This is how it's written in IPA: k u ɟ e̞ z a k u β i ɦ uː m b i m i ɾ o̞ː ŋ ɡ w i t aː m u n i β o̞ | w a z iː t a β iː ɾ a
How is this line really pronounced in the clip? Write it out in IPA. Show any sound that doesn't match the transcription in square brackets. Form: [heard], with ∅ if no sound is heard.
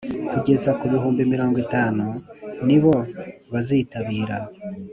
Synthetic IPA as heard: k u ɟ e̞ z a k u β i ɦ uː m b i m i ɾ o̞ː ŋ ɡ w i t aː [n] u n i β o̞ | [β] a z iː t a β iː ɾ a